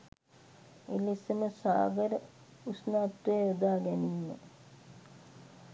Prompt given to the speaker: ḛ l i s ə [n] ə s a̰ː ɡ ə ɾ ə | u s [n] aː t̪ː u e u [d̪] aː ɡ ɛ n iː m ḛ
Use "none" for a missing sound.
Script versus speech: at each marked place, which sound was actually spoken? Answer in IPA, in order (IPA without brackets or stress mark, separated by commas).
m, n, d̪